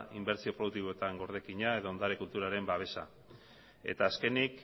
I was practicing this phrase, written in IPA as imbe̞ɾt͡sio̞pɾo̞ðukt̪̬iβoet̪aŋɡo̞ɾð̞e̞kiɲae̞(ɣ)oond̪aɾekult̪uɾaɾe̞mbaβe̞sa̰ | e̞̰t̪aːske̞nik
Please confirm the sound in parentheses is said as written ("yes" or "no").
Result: no